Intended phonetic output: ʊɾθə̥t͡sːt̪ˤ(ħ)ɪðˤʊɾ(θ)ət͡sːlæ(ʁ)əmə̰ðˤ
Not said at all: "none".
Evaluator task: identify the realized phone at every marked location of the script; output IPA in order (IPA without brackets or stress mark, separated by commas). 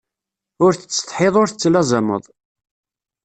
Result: ħ, θ, z